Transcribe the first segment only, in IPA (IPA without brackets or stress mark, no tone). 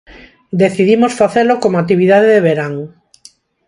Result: d̪